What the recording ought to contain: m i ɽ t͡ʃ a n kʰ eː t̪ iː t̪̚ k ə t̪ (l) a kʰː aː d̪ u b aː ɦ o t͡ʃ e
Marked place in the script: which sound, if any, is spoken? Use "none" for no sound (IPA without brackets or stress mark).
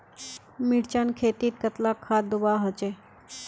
l